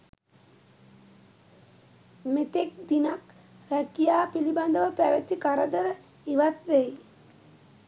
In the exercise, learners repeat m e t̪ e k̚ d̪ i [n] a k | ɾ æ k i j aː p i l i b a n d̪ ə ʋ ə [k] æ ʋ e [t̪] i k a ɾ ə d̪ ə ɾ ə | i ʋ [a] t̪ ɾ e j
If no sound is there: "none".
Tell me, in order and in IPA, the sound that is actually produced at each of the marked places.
n, p, t̪, a

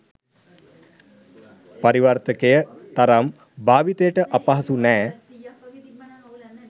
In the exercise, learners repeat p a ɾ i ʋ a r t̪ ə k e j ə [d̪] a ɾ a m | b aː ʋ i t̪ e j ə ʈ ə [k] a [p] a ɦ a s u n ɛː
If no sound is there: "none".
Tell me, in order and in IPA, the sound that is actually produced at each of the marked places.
t̪, ʔ, p

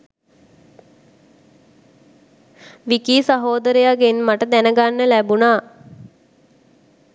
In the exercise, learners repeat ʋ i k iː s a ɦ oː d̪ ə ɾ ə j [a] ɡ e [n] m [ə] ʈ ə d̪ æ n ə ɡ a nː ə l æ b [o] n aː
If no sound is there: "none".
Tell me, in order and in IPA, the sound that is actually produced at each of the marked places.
a, n, a, u

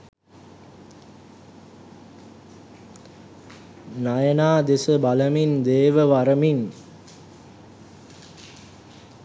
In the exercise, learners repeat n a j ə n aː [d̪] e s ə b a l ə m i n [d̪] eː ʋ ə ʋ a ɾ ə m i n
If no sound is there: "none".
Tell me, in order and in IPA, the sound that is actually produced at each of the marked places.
d̪, d̪

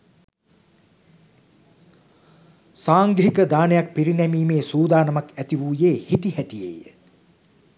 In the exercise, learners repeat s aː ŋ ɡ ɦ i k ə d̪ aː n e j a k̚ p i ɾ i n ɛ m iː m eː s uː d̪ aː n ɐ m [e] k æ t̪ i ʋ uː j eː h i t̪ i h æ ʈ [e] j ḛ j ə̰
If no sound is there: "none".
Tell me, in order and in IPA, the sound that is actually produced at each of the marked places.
a, i

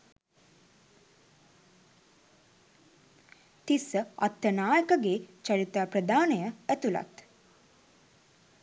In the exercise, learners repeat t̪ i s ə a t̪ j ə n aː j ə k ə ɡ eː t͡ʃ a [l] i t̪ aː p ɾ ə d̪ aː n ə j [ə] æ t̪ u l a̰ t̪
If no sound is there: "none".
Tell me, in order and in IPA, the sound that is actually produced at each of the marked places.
ɾ, ə

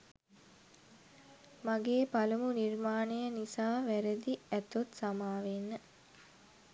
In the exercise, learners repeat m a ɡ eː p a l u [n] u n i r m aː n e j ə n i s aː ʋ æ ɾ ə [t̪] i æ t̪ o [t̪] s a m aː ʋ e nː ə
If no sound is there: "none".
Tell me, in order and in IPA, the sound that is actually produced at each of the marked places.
m, d̪, t̪

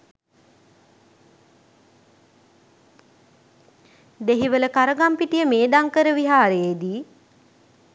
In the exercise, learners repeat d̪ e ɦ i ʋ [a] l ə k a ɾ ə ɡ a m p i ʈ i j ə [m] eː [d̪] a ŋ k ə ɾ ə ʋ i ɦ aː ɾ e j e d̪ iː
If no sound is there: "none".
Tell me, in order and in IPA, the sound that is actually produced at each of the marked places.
ə, m, d̪

